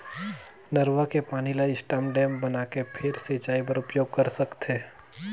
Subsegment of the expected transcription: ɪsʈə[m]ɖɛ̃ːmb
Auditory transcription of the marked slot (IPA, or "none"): m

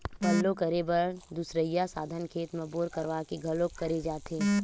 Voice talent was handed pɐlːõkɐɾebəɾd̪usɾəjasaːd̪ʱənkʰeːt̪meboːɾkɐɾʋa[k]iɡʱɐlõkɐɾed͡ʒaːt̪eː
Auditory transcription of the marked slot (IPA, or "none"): k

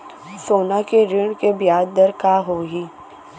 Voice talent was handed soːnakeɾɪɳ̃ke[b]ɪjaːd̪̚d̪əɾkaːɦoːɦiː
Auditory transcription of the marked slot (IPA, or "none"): b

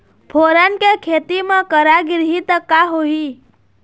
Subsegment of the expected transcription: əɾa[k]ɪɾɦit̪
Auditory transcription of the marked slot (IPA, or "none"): ɡ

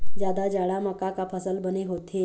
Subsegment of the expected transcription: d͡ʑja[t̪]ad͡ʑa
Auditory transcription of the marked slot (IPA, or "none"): d̪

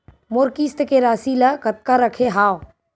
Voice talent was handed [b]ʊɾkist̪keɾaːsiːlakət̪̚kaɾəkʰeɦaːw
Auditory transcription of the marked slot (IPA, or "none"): m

